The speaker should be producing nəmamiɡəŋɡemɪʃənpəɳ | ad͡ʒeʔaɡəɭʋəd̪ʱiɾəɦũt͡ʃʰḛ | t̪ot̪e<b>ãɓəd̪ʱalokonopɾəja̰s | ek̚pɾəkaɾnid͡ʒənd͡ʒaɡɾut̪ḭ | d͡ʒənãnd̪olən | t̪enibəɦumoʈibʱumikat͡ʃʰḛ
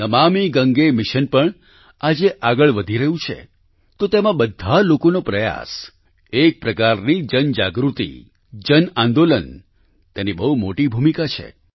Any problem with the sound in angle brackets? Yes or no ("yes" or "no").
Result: yes